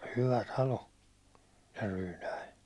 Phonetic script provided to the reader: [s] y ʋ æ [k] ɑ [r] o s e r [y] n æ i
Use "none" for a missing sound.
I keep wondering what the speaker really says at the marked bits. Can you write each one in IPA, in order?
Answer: h, t, l, yː

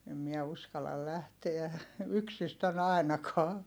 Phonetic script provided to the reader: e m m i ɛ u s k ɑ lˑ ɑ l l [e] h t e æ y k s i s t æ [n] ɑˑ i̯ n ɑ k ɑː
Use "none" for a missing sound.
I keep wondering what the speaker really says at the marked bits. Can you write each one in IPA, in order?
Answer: æ, n

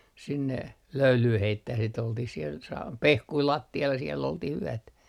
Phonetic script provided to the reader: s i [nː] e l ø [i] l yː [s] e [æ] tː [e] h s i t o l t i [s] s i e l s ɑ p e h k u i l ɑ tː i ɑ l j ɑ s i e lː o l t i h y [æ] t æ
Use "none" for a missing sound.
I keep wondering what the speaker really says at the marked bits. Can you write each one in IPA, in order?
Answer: nː, y, h, i, æ, h, æ

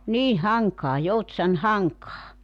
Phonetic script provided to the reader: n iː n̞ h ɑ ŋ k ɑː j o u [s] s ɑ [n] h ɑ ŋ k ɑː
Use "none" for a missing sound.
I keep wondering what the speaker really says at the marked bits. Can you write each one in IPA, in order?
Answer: t, n

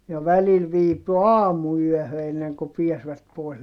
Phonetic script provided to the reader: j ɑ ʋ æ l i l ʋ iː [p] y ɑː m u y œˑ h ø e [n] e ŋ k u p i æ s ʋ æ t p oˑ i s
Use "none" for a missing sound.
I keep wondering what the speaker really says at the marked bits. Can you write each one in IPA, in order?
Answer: p, nː

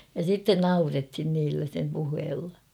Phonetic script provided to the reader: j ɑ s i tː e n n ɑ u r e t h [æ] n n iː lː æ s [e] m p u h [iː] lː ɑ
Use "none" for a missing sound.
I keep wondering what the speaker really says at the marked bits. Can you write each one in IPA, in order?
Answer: i, e, eː

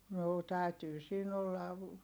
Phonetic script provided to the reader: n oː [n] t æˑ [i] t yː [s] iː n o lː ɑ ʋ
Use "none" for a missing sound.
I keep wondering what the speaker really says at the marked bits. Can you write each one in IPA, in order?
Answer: none, y, s

